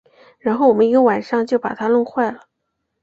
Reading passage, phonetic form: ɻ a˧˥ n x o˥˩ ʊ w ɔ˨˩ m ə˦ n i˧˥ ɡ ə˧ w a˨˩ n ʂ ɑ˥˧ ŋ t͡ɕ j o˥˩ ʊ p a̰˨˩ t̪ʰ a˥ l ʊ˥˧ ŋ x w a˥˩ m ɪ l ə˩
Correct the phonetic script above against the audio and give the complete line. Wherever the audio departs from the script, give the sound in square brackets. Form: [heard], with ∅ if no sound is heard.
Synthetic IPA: ɻ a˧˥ n x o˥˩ ʊ w ɔ˨˩ m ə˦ n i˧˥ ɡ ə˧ w a˨˩ n ʂ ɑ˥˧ ŋ t͡ɕ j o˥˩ ʊ p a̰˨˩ t̪ʰ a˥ l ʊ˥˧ ŋ x w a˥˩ [∅] ɪ l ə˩